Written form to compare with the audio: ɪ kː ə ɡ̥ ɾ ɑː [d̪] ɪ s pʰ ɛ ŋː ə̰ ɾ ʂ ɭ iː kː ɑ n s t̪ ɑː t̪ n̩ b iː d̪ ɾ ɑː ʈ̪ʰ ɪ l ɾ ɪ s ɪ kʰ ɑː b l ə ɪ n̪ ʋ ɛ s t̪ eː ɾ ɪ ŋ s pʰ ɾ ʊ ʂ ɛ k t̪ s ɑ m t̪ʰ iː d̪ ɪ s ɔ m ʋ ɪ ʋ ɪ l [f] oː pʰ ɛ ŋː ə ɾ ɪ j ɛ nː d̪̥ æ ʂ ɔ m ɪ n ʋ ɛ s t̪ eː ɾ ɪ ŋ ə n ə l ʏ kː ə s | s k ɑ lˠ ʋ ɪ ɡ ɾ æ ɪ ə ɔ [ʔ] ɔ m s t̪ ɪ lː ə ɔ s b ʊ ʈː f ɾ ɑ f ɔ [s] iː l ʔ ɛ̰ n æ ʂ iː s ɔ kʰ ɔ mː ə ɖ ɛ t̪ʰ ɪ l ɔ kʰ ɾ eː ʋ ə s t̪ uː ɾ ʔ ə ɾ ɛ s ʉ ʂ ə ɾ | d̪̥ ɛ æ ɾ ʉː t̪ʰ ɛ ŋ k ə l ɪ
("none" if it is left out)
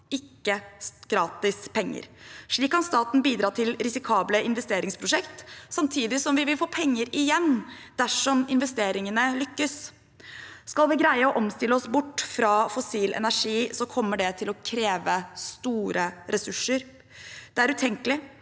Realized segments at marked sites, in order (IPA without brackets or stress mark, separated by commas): t̪, f, ʔ, s